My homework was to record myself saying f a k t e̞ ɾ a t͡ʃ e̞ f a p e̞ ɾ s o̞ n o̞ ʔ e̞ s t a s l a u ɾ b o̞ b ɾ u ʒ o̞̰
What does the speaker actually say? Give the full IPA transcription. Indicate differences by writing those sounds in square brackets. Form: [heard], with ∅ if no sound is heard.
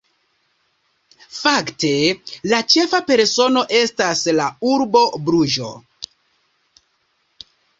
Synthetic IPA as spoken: f a k t e̞ [l] a t͡ʃ e̞ f a p e̞ ɾ s o̞ n o̞ ʔ e̞ s t a s l a u ɾ b o̞ b ɾ u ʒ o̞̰